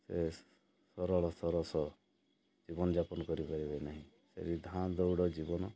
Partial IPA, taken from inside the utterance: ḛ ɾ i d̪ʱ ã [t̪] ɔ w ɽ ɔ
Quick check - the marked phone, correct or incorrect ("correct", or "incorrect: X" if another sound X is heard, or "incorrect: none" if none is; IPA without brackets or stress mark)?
incorrect: d̪